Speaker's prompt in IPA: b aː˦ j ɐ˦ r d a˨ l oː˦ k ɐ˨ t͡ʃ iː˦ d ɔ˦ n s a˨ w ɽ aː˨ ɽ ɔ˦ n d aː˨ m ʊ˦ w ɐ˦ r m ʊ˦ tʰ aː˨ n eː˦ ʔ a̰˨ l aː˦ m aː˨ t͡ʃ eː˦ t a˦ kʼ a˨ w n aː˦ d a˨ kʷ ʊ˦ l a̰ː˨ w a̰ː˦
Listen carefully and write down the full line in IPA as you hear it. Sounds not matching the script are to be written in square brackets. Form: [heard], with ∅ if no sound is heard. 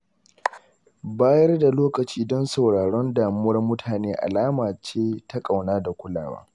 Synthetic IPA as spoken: b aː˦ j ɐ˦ r d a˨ l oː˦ k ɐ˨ t͡ʃ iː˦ d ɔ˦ n s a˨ w ɽ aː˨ ɽ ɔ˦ n d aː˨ m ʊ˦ w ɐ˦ r m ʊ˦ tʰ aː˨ n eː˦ ʔ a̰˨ l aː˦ m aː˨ t͡ʃ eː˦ t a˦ kʼ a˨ w n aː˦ d a˨ kʷ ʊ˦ l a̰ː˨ w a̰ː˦

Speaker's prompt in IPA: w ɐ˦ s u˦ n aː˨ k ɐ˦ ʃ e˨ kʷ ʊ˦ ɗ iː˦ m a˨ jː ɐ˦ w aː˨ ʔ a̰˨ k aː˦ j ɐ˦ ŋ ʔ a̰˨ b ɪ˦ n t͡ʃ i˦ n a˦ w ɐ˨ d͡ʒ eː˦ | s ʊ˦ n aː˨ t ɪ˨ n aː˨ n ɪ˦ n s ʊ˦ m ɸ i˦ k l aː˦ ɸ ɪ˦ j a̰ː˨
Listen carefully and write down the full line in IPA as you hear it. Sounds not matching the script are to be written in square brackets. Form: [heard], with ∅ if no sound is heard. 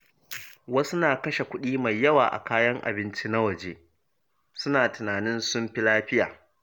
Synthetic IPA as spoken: w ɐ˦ s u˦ n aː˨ k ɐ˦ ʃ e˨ kʷ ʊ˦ ɗ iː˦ m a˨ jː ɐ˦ w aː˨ ʔ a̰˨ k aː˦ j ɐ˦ ŋ ʔ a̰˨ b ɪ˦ n t͡ʃ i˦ n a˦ w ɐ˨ d͡ʒ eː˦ | s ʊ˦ n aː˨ t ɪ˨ n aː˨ n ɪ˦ n s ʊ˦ m ɸ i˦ [∅] l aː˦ ɸ ɪ˦ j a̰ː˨

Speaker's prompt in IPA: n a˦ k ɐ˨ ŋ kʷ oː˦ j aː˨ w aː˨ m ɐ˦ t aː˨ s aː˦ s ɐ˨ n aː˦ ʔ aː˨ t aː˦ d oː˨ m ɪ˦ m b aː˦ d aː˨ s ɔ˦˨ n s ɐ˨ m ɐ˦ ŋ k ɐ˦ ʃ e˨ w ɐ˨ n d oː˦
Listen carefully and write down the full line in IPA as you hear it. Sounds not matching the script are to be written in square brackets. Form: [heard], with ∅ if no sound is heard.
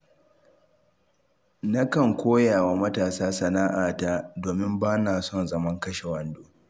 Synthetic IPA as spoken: n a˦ k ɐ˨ ŋ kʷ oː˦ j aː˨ w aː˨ m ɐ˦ t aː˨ s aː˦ s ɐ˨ n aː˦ ʔ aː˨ t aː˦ d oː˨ m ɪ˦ m b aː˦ [n] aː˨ s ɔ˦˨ n [z] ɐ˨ m ɐ˦ ŋ k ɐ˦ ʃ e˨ w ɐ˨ n d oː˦

